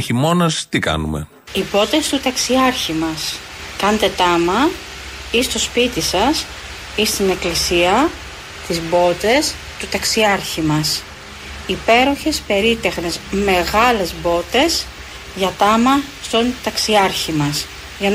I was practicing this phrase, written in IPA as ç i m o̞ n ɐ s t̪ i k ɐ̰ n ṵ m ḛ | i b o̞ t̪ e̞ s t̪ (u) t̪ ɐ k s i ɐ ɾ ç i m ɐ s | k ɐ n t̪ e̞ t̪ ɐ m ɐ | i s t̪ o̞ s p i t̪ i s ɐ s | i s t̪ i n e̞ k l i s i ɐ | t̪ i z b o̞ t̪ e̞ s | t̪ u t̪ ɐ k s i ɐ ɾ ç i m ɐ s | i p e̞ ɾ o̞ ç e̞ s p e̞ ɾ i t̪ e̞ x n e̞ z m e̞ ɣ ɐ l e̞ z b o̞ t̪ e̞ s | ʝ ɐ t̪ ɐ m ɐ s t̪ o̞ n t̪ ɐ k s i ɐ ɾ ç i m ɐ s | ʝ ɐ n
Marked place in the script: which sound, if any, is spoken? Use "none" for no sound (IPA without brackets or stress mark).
u